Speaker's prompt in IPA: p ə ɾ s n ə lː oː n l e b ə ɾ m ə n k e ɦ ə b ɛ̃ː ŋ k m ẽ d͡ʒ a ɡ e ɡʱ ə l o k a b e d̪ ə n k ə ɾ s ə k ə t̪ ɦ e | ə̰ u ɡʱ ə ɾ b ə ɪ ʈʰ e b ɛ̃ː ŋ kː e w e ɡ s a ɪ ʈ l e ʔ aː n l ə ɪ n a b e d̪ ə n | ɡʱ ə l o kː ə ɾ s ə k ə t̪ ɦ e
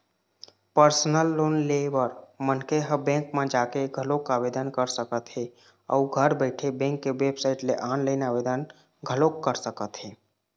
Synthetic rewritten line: p ə ɾ s n ə lː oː n l e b ə ɾ m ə n k e ɦ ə b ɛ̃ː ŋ k m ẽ d͡ʒ a k e ɡʱ ə l o k a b e d̪ ə n k ə ɾ s ə k ə t̪ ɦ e | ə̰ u ɡʱ ə ɾ b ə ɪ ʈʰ e b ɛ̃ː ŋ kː e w e b s a ɪ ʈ l e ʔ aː n l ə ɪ n a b e d̪ ə n | ɡʱ ə l o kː ə ɾ s ə k ə t̪ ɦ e